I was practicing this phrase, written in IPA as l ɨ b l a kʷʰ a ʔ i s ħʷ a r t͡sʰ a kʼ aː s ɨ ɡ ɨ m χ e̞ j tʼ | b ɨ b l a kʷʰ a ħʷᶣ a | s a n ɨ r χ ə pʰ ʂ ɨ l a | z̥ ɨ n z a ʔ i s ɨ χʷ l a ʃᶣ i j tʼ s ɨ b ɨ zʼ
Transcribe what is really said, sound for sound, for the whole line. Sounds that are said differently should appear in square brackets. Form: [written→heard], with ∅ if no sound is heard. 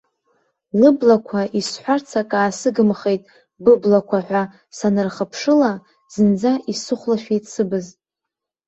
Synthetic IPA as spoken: l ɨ b l a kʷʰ a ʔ i s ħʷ a r t͡sʰ a kʼ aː s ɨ ɡ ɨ m χ e̞ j tʼ | b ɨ b l a kʷʰ a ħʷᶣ a | s a n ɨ r χ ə pʰ ʂ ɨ l a | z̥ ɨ n [z→d͡z] a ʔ i s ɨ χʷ l a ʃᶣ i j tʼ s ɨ b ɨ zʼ